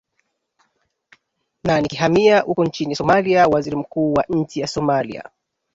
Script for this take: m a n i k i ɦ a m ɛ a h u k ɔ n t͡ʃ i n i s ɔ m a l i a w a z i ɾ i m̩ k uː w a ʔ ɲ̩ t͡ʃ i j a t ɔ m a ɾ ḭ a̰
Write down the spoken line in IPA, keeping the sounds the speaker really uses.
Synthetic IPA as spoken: n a n i k i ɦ a m i a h u k ɔ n t͡ʃ i n i s ɔ m a l i a w a z i ɾ i m̩ k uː w a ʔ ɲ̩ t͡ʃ i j a s ɔ m a l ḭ a̰